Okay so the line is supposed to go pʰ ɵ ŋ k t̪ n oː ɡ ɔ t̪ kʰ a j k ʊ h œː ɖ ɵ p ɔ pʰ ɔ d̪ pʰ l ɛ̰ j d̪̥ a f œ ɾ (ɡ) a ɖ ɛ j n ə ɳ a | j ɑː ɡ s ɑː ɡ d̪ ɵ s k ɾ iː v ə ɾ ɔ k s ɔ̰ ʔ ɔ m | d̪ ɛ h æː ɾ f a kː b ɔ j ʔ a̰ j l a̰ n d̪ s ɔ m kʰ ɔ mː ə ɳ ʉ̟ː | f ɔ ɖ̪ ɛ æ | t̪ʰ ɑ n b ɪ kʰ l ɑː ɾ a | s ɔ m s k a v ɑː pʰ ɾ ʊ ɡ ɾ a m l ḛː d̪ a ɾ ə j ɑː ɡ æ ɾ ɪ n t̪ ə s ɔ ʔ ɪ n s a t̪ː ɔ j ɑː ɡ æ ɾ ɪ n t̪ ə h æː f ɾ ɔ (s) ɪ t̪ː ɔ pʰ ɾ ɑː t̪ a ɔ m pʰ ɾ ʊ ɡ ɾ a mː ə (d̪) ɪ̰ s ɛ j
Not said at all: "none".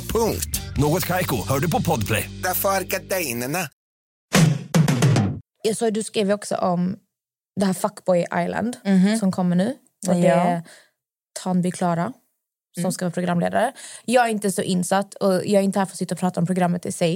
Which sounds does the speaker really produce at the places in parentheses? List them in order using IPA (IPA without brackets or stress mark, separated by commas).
ɡ, s, t̪